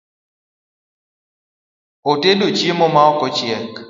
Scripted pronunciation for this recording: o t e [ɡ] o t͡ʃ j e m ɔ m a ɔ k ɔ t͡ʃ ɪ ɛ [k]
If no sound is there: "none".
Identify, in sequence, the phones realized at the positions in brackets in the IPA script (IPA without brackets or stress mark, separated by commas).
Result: d, k